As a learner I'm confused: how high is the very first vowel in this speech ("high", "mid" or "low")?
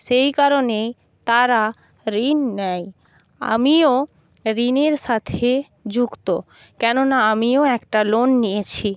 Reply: mid